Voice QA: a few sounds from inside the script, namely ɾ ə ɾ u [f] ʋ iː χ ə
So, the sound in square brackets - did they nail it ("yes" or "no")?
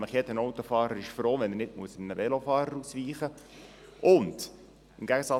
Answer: no